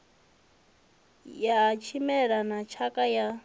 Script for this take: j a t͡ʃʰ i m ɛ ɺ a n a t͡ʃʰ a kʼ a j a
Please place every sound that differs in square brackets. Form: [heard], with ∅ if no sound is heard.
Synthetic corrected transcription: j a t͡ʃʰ i m ɛ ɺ a n a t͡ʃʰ a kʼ a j a